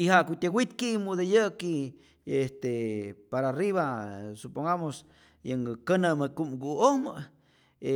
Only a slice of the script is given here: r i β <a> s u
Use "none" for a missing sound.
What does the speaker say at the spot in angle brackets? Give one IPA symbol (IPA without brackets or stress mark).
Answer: a